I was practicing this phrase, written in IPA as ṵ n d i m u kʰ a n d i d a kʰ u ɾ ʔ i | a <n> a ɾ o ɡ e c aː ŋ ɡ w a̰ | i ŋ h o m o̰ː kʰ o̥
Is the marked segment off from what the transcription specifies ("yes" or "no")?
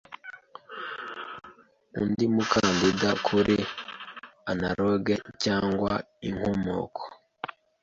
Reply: no